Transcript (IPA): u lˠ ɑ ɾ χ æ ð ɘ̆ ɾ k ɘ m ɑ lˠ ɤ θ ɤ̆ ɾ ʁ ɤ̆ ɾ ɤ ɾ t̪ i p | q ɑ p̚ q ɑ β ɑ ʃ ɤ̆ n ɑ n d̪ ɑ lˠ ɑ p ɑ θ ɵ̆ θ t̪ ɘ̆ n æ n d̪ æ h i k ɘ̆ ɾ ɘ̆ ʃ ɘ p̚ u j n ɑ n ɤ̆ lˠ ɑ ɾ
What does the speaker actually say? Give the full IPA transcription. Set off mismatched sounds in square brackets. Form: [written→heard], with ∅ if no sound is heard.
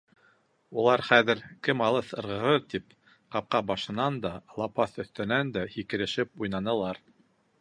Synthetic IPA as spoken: u lˠ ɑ ɾ χ æ ð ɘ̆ ɾ k ɘ m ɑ lˠ ɤ θ ɤ̆ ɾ ʁ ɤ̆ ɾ ɤ ɾ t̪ i p | q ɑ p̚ q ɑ [β→b] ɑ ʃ ɤ̆ n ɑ n d̪ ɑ lˠ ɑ p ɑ θ ɵ̆ θ t̪ ɘ̆ n æ n d̪ æ h i k ɘ̆ ɾ ɘ̆ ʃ ɘ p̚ u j n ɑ n ɤ̆ lˠ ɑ ɾ